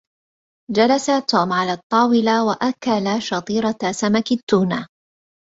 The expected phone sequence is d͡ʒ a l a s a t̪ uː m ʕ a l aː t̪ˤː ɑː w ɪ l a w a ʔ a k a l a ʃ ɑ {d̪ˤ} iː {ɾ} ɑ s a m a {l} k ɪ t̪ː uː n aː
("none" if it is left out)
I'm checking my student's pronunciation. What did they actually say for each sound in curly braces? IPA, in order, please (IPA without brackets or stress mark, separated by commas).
t̪ˤ, ɾ, none